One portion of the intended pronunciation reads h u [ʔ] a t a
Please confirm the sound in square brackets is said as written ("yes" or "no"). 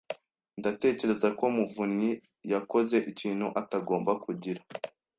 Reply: yes